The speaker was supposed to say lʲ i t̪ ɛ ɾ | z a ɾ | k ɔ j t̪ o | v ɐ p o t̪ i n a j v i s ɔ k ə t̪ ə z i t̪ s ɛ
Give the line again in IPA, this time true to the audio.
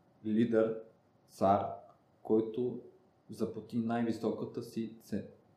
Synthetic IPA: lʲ i d̪ ɛ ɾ | s a ɾ | k ɔ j t̪ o | z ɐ p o t̪ i n a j v i s ɔ k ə t̪ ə s i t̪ s ɛ